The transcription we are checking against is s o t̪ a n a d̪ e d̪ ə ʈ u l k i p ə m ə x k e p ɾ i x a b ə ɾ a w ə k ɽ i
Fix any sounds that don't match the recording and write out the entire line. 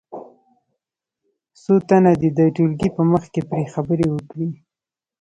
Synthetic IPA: s o t̪ a n a d̪ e d̪ ə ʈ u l ɡ i p ə m ə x k e p ɾ e x a b ə ɾ e w ə k ɽ i